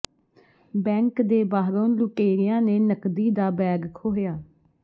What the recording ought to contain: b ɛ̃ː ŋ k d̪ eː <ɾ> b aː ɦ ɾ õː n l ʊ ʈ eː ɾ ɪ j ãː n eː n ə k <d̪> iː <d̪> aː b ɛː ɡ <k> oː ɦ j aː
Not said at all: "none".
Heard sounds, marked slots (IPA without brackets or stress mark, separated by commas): none, d̪, d̪, kʰ